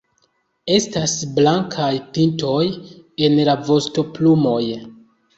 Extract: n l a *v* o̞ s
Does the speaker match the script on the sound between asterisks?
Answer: yes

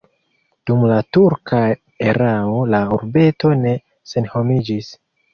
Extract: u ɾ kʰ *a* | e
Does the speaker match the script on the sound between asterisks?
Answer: yes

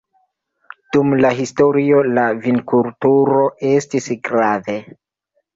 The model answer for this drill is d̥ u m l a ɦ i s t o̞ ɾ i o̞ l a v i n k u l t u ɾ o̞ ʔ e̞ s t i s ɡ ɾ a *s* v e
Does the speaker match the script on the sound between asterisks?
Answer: no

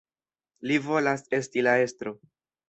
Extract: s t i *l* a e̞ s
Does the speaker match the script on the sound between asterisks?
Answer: yes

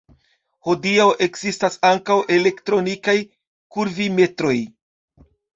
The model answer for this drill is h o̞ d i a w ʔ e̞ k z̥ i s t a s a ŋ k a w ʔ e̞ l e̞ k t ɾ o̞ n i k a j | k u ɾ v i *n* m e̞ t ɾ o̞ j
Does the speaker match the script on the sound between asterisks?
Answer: no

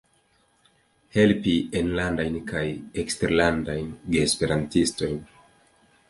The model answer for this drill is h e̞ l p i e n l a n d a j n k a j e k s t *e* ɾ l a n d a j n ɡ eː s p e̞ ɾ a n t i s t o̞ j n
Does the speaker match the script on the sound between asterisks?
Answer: yes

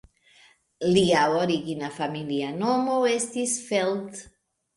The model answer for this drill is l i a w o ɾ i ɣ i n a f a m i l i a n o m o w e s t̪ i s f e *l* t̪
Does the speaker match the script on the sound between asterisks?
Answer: yes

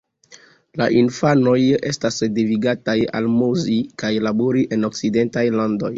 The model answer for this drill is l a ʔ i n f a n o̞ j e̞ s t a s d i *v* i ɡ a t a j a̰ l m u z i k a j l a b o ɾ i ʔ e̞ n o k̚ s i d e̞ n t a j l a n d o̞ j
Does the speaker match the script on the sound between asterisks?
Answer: yes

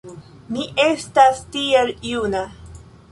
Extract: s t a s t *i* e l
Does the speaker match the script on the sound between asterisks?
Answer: yes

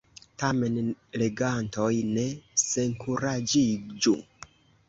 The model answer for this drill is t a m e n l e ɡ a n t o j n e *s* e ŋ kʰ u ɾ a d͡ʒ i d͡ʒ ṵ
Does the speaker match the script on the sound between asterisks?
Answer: yes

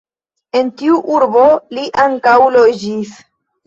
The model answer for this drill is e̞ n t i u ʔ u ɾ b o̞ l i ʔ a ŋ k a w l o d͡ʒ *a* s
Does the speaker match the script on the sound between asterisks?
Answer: no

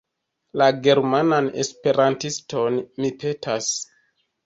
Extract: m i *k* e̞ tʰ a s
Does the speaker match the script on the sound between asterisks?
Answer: no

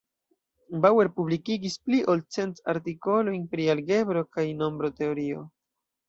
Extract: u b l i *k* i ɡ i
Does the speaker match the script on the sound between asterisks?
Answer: yes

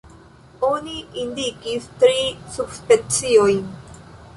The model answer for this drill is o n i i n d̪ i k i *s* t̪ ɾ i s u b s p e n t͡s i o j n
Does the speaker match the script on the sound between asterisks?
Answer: yes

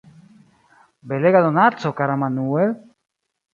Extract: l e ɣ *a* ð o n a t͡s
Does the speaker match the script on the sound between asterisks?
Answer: yes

